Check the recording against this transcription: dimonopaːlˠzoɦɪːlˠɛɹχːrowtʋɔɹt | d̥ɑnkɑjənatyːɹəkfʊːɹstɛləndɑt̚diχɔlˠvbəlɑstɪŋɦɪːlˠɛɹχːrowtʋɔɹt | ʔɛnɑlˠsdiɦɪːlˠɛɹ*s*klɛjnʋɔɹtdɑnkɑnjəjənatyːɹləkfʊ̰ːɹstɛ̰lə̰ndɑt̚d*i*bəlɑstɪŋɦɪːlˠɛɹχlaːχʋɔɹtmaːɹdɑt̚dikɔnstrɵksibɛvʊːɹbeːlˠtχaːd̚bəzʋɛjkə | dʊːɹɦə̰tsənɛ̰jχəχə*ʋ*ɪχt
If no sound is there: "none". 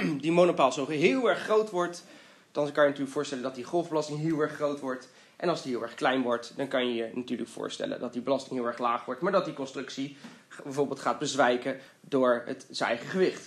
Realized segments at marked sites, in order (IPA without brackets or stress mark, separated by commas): χ, i, ʋ